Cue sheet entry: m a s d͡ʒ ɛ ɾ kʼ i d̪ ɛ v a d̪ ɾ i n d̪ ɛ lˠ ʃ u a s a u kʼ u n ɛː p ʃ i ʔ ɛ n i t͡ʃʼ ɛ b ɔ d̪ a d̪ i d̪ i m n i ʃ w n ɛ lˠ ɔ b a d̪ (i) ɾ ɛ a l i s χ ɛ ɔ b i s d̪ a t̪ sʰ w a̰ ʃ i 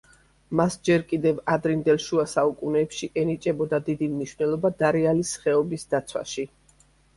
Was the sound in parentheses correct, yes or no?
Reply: no